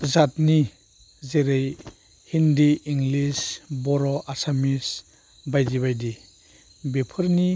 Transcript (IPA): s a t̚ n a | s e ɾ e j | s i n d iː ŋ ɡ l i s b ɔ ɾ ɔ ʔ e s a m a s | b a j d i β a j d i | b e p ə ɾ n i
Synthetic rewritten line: z a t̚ n i | z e ɾ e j | h i n d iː ŋ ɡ l i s b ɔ ɾ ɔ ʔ a s a m i s | b a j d i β a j d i | b e pʰ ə ɾ n i

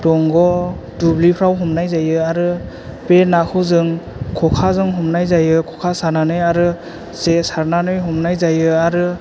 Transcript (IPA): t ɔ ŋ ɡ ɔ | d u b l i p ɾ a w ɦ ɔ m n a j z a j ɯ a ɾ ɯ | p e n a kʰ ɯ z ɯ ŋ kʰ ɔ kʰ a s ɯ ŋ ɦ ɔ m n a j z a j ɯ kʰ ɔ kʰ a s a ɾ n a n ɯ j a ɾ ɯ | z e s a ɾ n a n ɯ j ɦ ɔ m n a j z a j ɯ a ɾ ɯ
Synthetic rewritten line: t ɔ ŋ ɡ ɔ | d u b l i pʰ ɾ a w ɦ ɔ m n a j z a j ɯ a ɾ ɯ | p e n a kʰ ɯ z ɯ ŋ kʰ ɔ kʰ a z ɯ ŋ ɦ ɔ m n a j z a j ɯ kʰ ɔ kʰ a s a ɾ n a n ɯ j a ɾ ɯ | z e s a ɾ n a n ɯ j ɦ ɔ m n a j z a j ɯ a ɾ ɯ

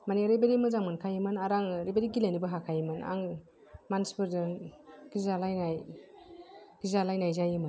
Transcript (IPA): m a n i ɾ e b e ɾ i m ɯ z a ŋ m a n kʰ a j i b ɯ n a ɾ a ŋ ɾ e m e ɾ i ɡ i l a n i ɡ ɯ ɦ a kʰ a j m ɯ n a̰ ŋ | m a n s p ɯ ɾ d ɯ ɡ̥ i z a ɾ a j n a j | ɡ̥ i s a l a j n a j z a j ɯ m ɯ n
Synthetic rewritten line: m a n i ɾ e b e ɾ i m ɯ z a ŋ m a n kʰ a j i m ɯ n a ɾ a ŋ ɾ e b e ɾ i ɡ i l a n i b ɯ ɦ a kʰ a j m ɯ n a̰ ŋ | m a n s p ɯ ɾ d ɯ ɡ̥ i z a l a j n a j | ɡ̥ i z a l a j n a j z a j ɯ m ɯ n

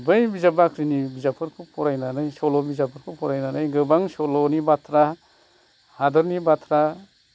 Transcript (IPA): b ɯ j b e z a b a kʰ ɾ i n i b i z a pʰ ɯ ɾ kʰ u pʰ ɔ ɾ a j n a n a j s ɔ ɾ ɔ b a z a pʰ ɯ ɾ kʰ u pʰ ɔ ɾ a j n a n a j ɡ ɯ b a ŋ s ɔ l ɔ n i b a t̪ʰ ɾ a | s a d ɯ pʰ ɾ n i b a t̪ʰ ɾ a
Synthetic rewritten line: b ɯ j b i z a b a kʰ ɾ i n i b i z a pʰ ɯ ɾ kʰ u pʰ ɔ ɾ a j n a n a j s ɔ l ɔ b i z a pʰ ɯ ɾ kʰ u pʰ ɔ ɾ a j n a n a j ɡ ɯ b a ŋ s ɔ l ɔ n i b a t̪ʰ ɾ a | h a d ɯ ɾ n i b a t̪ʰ ɾ a

